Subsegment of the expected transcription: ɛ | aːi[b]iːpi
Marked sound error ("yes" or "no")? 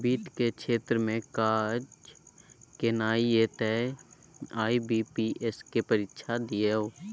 no